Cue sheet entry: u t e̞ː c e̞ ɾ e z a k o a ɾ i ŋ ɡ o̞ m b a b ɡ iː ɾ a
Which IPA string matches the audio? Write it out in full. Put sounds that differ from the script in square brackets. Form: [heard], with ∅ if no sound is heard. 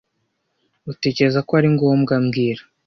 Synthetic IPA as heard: u t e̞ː c e̞ ɾ e z a k o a ɾ i ŋ ɡ o̞ m [ɡ] a [m] ɡ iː ɾ a